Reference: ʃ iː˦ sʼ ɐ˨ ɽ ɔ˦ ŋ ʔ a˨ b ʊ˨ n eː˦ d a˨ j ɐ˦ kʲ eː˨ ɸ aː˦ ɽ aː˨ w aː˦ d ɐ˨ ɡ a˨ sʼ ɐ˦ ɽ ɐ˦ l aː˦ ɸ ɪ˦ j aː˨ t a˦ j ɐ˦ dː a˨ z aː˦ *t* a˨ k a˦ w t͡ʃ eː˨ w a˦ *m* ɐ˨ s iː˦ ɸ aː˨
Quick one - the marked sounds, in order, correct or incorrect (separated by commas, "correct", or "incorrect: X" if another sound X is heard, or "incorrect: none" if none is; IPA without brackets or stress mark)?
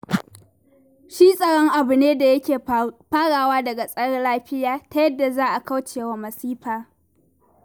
incorrect: ʔ, correct